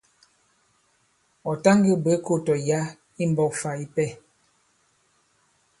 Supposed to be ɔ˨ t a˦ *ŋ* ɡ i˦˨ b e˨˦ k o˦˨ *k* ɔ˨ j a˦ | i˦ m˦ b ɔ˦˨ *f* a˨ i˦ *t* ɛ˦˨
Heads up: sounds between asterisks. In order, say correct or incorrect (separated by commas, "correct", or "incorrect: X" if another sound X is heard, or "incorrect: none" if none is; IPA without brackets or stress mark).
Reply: correct, incorrect: t, correct, incorrect: p